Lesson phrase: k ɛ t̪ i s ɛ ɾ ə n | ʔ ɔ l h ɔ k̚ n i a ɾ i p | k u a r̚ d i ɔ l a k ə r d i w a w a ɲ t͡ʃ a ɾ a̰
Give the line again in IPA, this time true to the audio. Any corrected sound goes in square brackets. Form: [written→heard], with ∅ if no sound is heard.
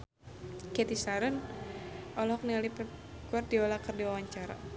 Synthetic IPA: k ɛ t̪ i s [ɛ→a] ɾ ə n | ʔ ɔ l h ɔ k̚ n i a [ɾ→l] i p | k u a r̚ d i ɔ l a k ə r d i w a w a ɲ t͡ʃ a ɾ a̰